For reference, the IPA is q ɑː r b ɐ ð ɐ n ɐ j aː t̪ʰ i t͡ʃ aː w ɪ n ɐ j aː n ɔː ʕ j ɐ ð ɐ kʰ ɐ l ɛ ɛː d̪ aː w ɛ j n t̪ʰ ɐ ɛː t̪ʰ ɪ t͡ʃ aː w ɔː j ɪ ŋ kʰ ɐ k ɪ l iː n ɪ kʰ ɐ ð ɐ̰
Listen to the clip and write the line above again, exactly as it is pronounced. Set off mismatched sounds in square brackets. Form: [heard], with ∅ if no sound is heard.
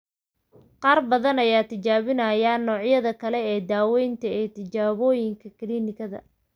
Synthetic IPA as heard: q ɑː r b ɐ ð ɐ n ɐ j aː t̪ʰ [ɪ] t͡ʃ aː [β] ɪ n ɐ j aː n ɔː ʕ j ɐ ð ɐ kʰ ɐ l ɛ ɛː d̪ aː w ɛ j n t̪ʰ ɐ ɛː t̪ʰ ɪ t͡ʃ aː [β] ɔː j ɪ ŋ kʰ ɐ k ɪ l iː n ɪ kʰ ɐ ð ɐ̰